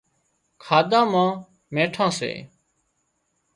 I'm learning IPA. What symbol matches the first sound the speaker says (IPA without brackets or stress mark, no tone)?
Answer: kʰ